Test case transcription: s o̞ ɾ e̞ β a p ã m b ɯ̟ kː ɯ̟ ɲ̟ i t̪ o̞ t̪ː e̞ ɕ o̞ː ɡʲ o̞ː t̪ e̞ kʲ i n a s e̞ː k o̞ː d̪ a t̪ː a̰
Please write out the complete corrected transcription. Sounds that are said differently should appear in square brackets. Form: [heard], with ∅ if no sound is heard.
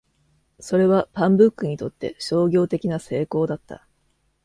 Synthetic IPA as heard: s o̞ ɾ e̞ β a p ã m b ɯ̟ kː ɯ̟ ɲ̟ i t̪ o̞ t̪ː e̞ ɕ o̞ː ɡʲ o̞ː t̪ e̞ kʲ i n a s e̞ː k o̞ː d̪ a t̪ː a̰